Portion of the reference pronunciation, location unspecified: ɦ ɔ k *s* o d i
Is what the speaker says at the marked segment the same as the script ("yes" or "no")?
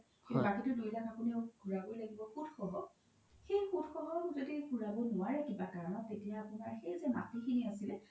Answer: no